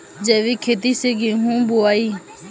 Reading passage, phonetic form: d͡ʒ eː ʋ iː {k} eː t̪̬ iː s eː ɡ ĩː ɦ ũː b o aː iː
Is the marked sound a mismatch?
yes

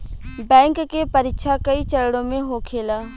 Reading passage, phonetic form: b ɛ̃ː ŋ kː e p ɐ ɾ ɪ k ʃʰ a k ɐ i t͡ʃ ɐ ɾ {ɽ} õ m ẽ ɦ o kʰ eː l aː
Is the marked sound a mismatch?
no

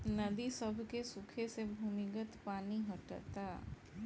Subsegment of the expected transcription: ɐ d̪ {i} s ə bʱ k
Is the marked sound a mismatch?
no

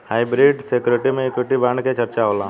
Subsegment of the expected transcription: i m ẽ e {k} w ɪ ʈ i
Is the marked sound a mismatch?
no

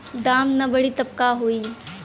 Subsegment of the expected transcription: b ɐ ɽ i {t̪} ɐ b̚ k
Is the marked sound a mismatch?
no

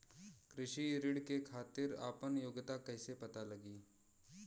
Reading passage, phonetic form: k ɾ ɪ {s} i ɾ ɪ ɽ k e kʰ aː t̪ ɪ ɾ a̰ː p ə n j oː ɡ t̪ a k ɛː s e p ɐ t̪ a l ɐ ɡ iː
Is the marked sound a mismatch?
yes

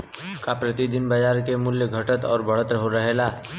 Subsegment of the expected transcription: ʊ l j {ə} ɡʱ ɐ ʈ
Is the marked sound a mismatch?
no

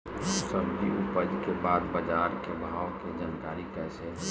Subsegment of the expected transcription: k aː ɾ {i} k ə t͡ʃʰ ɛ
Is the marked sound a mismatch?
no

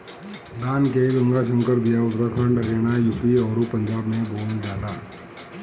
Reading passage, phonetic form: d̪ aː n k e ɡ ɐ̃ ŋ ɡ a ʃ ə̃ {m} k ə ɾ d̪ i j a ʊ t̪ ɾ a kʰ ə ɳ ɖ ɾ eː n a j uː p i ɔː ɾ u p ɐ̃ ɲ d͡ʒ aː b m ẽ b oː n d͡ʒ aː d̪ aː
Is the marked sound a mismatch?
yes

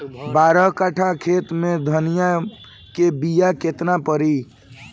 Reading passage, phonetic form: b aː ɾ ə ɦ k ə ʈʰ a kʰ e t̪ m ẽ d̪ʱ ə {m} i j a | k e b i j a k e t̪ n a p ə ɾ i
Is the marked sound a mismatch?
yes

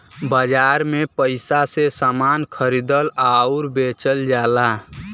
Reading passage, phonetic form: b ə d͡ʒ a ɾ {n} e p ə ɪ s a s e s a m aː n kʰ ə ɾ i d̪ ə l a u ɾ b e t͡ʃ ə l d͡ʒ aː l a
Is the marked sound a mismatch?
yes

